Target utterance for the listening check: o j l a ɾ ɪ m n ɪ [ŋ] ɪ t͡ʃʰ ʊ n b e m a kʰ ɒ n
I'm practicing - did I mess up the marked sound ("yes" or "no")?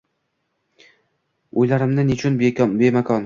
yes